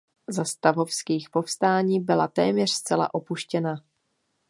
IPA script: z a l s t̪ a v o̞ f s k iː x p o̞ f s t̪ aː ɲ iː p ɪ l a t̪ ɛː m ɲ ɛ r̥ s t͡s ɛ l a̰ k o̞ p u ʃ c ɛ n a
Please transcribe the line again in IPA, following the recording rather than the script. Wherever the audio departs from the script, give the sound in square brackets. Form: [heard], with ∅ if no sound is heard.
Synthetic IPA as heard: z a [∅] s t̪ a v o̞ f s k iː x p o̞ f s t̪ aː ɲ iː [b] ɪ l a t̪ ɛː m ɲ ɛ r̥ s t͡s ɛ l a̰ [ʔ] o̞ p u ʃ c ɛ n a